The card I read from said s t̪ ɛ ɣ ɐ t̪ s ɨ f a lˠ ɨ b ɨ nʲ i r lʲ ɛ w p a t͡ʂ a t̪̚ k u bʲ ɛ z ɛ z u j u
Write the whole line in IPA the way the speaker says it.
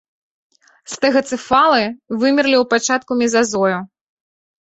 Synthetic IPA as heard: s t̪ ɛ ɣ ɐ t̪ s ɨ f a lˠ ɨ v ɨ mʲ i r lʲ i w p a t͡ʂ a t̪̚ k u mʲ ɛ z a z ɔ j u